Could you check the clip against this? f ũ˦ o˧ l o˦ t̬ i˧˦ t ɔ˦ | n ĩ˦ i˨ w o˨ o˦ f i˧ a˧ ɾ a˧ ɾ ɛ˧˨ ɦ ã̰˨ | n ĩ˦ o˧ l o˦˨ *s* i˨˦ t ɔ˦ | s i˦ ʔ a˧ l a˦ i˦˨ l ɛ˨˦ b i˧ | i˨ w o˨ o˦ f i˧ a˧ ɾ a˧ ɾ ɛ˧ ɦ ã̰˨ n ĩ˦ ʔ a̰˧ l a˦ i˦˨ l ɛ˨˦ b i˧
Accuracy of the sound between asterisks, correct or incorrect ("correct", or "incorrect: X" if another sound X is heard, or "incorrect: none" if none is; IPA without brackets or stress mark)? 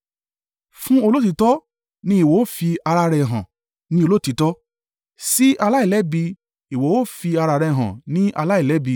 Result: incorrect: t